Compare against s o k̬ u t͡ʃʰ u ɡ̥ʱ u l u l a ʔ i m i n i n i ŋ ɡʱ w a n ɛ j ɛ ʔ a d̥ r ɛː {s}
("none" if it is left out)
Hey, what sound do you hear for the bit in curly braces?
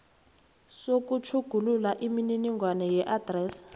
s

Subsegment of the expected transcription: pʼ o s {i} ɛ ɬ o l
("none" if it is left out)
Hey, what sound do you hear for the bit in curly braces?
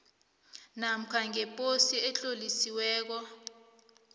i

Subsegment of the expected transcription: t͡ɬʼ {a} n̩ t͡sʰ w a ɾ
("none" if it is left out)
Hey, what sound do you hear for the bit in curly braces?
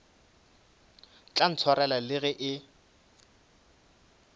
a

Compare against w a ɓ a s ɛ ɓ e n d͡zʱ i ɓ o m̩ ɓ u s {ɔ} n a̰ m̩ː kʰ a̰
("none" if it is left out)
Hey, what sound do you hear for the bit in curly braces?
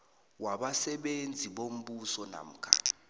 ɔ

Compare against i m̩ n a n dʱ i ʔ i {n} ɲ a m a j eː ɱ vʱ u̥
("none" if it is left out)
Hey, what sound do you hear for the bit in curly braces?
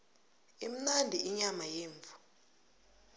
none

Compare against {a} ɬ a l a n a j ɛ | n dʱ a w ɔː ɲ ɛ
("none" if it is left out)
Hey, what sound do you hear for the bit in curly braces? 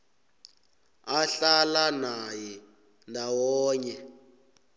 a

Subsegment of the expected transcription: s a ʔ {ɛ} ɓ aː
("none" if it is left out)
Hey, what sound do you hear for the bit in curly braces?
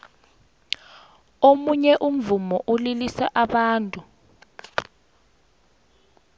a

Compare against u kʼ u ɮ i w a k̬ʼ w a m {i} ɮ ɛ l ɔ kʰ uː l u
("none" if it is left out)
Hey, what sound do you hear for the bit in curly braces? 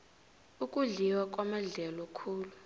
a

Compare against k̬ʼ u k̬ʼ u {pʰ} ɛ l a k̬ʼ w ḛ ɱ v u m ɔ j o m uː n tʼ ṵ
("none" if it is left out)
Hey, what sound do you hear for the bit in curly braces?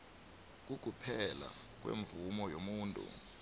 pʰ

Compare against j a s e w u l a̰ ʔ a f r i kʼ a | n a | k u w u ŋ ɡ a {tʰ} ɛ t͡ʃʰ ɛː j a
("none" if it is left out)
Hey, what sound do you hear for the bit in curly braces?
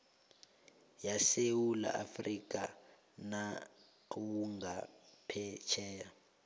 pʰ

